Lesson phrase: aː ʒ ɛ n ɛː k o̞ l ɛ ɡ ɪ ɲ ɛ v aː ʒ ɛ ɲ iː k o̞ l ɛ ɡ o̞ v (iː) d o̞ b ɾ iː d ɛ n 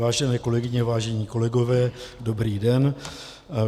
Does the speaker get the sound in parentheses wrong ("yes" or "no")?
yes